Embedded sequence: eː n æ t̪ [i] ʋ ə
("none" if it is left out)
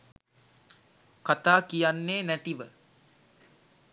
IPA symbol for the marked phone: i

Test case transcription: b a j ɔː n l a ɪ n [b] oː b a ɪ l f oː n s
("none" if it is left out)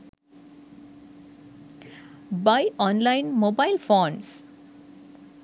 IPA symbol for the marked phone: m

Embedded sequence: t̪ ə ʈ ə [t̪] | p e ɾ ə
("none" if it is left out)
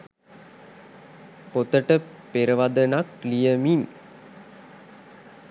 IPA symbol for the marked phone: none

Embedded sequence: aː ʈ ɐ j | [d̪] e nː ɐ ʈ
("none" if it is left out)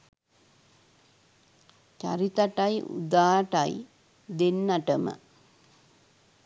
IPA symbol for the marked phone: d̪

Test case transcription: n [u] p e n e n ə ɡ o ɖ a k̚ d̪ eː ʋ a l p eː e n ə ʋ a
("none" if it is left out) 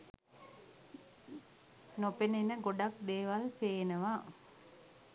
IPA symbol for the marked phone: o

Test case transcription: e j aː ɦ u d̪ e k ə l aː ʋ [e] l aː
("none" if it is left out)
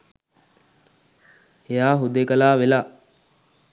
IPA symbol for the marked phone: e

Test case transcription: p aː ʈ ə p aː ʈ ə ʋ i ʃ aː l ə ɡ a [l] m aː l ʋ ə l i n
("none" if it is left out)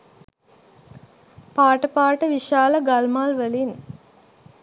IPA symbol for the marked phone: l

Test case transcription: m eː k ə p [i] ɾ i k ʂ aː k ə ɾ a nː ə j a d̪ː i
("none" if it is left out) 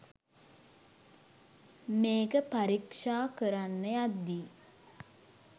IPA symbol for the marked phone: a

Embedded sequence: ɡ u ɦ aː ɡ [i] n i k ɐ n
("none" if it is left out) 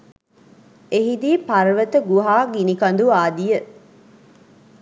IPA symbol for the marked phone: i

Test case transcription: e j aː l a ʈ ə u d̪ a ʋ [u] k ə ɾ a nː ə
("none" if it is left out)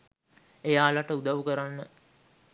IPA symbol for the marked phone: u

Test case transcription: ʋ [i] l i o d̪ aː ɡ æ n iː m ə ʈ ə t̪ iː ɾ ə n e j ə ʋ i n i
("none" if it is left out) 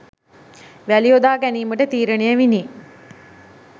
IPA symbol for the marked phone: æ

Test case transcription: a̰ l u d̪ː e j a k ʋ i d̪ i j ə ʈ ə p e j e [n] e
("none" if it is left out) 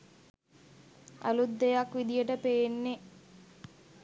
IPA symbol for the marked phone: nː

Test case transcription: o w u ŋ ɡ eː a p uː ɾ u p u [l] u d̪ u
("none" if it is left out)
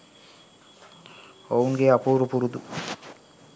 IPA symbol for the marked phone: ɾ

